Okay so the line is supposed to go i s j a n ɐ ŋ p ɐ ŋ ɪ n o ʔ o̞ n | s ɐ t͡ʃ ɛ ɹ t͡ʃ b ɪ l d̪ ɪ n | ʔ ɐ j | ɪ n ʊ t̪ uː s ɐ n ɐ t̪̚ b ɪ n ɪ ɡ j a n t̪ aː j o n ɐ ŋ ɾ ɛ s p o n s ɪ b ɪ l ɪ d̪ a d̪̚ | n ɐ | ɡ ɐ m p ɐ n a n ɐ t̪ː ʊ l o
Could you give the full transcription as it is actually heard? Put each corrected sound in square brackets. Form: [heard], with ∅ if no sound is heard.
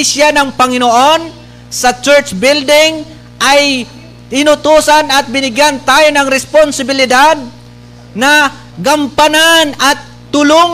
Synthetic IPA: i s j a n ɐ ŋ p ɐ ŋ ɪ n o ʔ o̞ n | s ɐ t͡ʃ ɛ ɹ t͡ʃ b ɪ l d̪ ɪ [ŋ] | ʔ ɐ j | ɪ n ʊ t̪ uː s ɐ n ɐ t̪̚ b ɪ n ɪ ɡ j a n t̪ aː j o n ɐ ŋ ɾ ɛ s p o n s ɪ b ɪ l ɪ d̪ a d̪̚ | n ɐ | ɡ ɐ m p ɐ n a n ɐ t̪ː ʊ l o